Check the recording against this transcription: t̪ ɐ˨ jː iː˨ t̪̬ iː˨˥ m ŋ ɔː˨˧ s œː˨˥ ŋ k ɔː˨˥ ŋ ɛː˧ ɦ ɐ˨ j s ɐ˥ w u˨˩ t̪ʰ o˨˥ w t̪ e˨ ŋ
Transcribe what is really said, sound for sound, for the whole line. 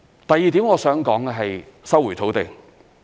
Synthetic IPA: t̪ ɐ˨ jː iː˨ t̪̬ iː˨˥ m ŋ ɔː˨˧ s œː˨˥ ŋ k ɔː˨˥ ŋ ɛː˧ ɦ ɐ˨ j s ɐ˥ w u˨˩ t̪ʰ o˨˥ w t̪ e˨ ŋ

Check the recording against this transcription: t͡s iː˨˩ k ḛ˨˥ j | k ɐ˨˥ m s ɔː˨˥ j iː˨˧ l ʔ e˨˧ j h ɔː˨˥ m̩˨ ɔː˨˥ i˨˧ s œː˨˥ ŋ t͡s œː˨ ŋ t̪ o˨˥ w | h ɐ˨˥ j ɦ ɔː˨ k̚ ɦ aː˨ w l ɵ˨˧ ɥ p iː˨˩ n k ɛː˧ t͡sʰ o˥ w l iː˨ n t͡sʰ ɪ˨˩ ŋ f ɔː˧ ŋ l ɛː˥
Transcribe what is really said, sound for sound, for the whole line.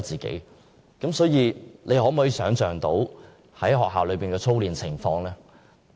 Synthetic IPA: t͡s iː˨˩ k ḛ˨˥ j | k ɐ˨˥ m s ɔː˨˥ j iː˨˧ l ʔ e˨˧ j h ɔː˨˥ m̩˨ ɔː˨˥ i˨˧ s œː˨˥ ŋ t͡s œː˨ ŋ t̪ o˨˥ w | h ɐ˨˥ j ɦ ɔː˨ k̚ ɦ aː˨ w l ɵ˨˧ ɥ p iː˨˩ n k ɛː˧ t͡sʰ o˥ w l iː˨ n t͡sʰ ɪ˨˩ ŋ f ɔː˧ ŋ l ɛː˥

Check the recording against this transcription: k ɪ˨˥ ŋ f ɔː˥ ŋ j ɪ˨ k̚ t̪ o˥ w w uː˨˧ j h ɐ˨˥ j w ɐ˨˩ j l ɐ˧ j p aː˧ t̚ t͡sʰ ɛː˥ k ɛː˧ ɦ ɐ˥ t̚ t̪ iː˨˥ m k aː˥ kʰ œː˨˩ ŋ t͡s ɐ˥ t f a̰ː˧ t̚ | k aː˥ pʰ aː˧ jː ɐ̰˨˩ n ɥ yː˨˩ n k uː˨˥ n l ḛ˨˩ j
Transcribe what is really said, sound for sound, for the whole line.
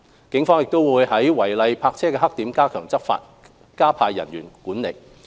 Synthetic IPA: k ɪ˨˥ ŋ f ɔː˥ ŋ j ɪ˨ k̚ t̪ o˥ w w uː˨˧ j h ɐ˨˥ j w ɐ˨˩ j l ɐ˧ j pʰ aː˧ k̚ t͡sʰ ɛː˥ k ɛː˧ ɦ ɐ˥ k̚ t̪ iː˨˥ m k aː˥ kʰ œː˨˩ ŋ t͡s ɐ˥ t f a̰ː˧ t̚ | k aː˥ pʰ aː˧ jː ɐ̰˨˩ n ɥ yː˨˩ n k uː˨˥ n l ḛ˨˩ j

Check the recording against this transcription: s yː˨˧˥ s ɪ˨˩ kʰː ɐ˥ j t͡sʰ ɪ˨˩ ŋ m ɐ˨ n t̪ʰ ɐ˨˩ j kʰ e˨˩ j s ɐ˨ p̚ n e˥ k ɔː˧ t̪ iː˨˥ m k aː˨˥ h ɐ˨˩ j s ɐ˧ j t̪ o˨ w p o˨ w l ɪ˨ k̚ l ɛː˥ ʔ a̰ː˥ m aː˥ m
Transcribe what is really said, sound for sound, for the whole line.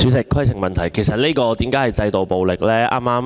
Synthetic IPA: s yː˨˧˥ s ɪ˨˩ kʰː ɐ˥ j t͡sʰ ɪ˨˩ ŋ m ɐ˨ n t̪ʰ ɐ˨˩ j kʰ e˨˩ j s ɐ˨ t̚ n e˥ k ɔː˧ t̪ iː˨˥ m k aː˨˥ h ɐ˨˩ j t͡s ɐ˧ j t̪ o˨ w p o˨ w l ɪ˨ k̚ l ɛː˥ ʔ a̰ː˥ m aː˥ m

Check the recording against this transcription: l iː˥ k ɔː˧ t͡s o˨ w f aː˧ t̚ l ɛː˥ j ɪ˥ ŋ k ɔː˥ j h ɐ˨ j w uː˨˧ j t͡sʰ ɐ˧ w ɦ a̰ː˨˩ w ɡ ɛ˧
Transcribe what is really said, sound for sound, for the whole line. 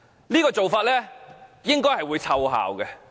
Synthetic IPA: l iː˥ k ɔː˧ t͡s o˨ w f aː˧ t̚ l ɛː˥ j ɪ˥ ŋ k ɔː˥ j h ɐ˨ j w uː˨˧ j t͡sʰ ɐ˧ w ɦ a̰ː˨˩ w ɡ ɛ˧

